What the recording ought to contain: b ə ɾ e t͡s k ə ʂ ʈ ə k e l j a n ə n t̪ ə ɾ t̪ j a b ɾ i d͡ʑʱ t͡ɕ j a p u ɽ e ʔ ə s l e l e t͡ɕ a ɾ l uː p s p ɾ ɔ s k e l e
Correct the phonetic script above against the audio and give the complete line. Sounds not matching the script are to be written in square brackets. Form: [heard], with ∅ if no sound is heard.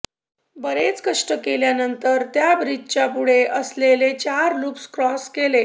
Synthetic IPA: b ə ɾ e t͡s k ə ʂ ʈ ə k e l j a n ə n t̪ ə ɾ t̪ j a b ɾ i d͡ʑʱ t͡ɕ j a p u ɽ e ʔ ə s l e l e t͡ɕ a ɾ l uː p s [k] ɾ ɔ s k e l e